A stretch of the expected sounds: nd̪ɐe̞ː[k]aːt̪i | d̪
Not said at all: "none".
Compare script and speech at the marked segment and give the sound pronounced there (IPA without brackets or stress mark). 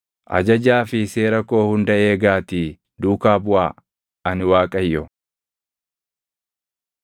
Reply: ɡ